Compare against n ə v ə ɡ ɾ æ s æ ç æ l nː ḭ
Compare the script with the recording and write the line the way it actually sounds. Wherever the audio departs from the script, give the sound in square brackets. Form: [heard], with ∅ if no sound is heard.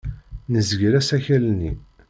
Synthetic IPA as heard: n ə [z] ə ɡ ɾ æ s æ ç æ l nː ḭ